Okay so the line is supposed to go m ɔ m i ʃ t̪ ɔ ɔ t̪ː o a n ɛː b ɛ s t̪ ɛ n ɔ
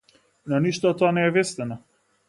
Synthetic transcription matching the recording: n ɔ n i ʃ t̪ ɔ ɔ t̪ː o a n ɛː v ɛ s t̪ ɛ n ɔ